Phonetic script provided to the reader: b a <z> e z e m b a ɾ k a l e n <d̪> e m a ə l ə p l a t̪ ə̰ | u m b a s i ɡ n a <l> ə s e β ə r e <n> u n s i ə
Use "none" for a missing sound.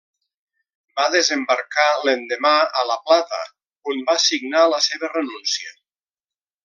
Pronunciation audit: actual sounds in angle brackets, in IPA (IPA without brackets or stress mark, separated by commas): ð, d̪, l, n